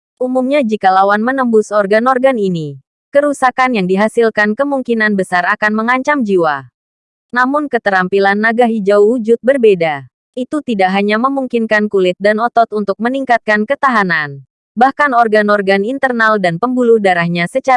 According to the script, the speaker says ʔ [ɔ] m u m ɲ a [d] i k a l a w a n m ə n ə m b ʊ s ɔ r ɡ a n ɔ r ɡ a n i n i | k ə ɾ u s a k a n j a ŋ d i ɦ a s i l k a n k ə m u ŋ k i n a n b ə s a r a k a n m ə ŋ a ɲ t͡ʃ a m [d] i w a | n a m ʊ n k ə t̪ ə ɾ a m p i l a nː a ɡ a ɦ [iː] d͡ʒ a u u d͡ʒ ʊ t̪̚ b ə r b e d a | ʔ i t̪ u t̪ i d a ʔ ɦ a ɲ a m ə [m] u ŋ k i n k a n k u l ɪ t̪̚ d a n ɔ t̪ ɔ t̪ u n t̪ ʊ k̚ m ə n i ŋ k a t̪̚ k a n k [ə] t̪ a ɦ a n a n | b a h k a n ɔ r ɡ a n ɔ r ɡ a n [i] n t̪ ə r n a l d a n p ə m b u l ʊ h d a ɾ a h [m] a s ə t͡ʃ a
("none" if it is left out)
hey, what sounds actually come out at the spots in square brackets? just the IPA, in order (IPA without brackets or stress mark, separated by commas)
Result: u, d͡ʒ, d͡ʒ, i, m, ə, i, ɲ